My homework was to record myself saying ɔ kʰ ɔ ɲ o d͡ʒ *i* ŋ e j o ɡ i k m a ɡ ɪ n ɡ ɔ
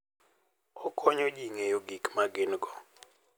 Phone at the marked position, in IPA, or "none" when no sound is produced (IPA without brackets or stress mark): i